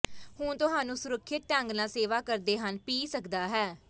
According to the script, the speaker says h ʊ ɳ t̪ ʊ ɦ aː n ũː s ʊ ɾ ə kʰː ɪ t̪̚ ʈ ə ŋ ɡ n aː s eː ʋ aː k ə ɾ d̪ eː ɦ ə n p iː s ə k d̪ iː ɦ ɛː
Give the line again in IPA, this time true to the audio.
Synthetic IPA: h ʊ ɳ t̪ ʊ ɦ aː n ũː s ʊ ɾ ə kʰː ɪ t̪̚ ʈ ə ŋ ɡ n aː s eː ʋ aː k ə ɾ d̪ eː ɦ ə n p iː s ə k d̪ aː ɦ ɛː